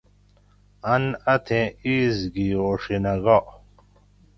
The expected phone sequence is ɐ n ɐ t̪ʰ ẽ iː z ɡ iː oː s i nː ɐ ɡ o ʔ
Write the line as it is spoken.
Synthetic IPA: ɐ n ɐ t̪ʰ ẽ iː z ɡ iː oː ʂ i n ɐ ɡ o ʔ